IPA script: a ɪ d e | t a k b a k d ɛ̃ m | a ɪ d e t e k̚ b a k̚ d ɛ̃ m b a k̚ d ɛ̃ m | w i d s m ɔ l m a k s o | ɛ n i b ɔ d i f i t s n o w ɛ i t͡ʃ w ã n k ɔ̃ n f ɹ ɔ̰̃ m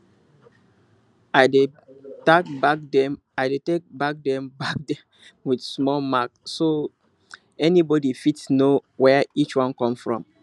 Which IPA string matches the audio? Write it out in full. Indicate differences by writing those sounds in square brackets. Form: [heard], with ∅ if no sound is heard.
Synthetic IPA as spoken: a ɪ d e | t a k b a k d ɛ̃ m | a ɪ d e t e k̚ b a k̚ d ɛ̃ m b a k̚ d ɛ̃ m | w i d s m ɔ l m a k s o | ɛ n i b ɔ d i f i t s n o w ɛ i t͡ʃ w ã n k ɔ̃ [m] f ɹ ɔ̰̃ m